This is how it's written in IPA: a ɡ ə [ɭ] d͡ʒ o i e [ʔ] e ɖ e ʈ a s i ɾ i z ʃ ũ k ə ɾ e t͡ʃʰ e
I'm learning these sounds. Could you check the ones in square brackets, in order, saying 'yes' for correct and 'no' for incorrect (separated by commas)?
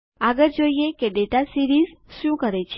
no, no